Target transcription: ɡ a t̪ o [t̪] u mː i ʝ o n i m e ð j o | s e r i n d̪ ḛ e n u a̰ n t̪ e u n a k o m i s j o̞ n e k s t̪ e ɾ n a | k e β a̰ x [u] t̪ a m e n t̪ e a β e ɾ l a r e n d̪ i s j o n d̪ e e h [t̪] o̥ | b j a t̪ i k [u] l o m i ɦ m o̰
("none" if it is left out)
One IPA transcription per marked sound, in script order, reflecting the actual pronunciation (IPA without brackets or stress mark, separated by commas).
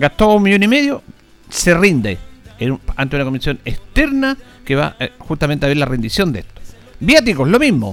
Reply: none, u, t̪, o